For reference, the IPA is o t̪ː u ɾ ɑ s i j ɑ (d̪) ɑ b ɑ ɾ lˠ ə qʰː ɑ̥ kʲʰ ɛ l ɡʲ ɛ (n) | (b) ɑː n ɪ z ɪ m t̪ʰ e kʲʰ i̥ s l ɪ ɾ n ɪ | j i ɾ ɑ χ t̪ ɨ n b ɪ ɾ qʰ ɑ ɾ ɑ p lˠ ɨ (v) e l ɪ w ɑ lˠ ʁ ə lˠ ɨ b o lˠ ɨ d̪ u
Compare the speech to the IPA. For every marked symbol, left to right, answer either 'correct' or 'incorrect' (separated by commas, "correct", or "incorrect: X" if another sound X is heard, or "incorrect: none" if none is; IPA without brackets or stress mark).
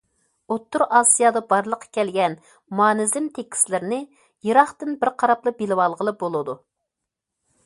correct, correct, incorrect: m, incorrect: b